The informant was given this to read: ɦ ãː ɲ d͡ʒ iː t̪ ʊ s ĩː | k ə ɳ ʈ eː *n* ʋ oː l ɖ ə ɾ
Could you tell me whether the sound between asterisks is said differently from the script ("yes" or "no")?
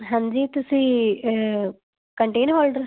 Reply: no